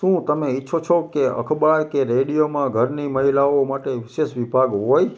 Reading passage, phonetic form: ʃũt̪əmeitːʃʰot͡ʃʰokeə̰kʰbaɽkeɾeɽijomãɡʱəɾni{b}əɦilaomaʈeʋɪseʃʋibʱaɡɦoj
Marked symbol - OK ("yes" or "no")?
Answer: no